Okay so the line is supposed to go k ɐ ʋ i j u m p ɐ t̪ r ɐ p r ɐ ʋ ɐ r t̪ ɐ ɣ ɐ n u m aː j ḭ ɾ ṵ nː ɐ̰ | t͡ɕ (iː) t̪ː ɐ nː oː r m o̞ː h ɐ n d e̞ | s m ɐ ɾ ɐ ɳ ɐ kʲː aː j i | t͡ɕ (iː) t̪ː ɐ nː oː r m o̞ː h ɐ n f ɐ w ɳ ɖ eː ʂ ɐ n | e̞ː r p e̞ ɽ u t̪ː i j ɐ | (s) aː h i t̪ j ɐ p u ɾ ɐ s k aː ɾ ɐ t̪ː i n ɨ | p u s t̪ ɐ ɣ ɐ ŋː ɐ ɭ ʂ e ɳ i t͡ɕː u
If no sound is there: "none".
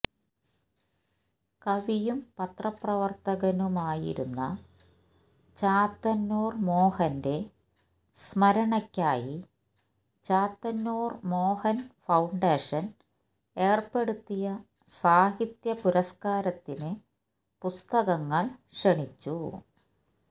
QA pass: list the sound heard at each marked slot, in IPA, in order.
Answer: aː, aː, s

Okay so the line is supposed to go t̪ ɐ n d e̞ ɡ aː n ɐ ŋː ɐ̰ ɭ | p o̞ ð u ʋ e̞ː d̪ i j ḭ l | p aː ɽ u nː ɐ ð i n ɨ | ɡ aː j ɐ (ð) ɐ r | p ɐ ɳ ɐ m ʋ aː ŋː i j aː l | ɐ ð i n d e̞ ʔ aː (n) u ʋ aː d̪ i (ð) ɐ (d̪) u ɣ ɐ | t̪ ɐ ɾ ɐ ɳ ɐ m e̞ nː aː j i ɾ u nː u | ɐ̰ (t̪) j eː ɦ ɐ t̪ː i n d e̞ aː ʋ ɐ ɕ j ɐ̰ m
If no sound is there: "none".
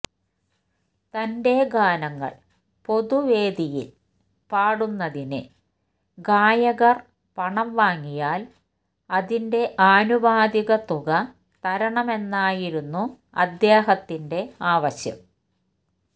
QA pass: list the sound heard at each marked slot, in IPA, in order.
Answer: ɣ, n, ɣ, t̪, d̪

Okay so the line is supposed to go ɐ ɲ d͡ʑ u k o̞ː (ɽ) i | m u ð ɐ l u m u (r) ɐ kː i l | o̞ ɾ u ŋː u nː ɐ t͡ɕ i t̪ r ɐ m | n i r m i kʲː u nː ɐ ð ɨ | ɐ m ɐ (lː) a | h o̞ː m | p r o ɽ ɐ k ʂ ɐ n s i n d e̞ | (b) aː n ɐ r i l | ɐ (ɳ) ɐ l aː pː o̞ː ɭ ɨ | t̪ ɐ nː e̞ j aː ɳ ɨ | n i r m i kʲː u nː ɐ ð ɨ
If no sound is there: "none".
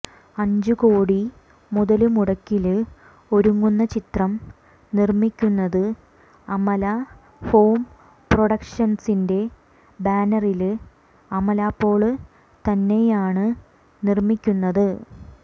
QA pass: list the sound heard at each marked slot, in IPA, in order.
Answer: ɽ, ɽ, l, b, m

